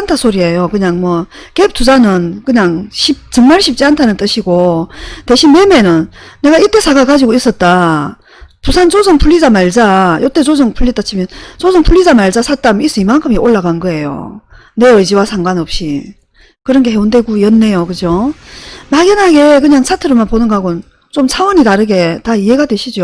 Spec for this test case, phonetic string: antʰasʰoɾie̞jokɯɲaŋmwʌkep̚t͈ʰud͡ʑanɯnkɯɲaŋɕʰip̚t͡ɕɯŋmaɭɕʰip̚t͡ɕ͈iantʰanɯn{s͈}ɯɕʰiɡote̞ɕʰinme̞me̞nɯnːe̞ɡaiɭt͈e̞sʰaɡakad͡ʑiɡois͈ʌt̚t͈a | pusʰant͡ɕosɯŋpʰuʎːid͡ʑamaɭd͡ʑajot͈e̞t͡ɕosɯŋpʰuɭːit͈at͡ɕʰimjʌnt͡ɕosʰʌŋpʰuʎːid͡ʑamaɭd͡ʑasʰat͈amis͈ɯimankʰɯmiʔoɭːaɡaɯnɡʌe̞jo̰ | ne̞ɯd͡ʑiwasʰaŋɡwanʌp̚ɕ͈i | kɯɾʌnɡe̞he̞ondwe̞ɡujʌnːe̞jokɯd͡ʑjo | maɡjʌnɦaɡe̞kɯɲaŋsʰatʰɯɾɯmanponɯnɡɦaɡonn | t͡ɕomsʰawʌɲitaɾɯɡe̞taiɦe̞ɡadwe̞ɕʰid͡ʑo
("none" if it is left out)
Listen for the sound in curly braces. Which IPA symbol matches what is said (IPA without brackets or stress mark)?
t͈